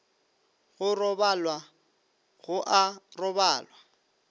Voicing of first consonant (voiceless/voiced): voiced